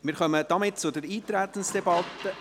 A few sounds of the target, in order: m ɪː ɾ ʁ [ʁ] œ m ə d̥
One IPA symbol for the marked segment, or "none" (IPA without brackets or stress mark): χ